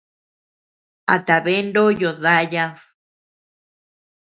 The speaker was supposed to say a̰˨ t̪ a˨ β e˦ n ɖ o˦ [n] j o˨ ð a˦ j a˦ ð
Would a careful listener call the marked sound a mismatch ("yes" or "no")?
yes